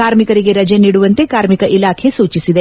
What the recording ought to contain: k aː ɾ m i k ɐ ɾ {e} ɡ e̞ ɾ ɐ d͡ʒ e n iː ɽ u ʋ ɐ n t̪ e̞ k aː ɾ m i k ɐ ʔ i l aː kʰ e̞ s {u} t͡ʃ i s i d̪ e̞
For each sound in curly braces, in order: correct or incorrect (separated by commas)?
incorrect, incorrect